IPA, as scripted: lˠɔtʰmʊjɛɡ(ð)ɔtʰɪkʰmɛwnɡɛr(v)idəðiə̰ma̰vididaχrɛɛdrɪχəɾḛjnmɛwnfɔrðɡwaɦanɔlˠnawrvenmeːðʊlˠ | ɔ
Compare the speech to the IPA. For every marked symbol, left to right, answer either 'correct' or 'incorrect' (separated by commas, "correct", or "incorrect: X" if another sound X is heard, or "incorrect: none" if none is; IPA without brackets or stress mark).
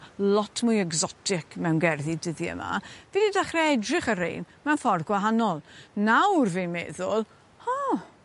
incorrect: z, incorrect: ð